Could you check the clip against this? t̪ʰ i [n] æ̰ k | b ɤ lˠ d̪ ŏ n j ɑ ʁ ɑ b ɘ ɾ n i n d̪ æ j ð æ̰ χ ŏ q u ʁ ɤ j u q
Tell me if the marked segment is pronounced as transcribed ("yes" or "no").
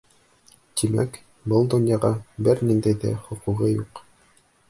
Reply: no